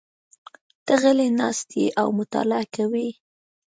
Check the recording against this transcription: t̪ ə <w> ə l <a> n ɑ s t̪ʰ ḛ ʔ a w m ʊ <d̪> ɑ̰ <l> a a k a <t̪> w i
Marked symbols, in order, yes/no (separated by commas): no, no, no, yes, no